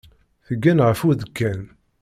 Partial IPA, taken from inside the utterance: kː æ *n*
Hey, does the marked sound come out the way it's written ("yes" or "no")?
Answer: yes